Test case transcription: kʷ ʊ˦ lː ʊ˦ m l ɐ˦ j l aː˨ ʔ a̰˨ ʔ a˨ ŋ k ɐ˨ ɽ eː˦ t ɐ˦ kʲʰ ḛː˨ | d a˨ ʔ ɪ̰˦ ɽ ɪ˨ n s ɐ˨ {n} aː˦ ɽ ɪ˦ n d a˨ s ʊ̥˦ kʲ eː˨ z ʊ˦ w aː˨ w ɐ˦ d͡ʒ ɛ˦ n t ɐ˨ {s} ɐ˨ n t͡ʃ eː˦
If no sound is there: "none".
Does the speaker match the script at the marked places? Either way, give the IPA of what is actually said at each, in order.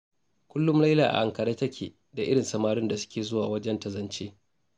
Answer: m, z

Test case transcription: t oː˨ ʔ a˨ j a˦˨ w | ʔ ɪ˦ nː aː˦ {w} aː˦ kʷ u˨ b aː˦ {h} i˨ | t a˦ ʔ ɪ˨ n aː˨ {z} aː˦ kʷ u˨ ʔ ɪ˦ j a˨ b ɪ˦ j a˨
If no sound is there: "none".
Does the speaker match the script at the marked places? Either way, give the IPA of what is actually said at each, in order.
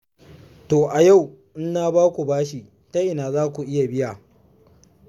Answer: b, ʃ, z

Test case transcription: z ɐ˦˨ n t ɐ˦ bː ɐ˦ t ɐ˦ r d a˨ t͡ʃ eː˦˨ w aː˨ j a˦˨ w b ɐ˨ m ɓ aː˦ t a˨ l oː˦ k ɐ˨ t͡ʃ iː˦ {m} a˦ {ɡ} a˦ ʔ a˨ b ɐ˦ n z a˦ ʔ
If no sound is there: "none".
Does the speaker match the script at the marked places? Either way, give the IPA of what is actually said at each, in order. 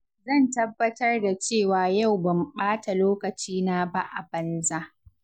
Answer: n, b

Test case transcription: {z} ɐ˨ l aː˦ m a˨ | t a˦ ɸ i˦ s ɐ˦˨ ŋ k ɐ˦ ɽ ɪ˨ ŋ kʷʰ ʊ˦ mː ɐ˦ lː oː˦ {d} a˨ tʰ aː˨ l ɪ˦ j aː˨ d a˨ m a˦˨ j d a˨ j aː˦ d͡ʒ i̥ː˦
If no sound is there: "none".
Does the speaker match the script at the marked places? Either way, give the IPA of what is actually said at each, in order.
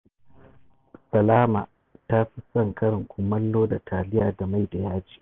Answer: s, d

